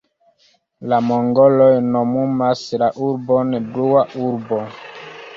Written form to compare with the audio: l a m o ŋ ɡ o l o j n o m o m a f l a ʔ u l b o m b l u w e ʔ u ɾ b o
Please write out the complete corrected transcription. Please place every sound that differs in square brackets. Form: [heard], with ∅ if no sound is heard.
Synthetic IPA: l a m o ŋ ɡ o l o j n o m [u] m a [s] l a ʔ u [ɾ] b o [n] b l u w [a] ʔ u ɾ b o